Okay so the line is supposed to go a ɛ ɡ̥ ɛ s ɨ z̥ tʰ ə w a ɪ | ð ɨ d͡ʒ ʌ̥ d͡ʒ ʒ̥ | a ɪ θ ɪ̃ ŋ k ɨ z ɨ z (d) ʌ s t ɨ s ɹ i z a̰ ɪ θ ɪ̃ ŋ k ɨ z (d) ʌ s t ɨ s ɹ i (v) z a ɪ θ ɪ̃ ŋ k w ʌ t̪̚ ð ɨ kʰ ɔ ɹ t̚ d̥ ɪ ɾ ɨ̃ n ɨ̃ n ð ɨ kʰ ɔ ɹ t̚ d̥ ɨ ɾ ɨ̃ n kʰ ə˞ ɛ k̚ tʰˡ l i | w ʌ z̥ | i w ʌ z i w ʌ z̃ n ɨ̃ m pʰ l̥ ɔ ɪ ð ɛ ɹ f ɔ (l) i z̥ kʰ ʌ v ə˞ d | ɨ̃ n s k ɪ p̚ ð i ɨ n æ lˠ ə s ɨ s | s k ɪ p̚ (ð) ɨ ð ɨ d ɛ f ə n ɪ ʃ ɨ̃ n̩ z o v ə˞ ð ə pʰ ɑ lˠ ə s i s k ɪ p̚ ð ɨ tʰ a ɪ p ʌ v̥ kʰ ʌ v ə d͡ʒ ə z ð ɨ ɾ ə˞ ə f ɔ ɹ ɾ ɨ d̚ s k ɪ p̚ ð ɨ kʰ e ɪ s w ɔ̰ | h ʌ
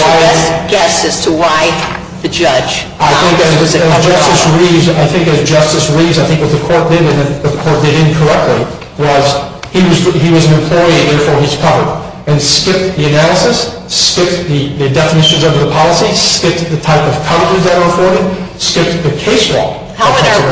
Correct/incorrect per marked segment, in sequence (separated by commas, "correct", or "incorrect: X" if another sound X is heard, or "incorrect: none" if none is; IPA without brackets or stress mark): incorrect: d͡ʒ, incorrect: d͡ʒ, correct, incorrect: ɹ, correct